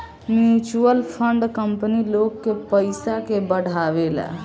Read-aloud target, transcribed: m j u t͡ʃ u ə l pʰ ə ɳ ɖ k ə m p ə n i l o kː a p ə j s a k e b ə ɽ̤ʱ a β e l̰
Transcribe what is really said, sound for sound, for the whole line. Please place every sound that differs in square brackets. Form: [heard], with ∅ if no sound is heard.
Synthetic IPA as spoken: m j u t͡ʃ u ə l pʰ ə ɳ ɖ k ə m p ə n i l o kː [e] p ə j s a k e b ə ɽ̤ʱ a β e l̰